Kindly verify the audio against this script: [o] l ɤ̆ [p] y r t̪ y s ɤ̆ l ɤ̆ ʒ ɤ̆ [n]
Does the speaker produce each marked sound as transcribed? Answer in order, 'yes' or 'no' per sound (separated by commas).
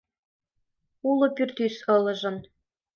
no, yes, yes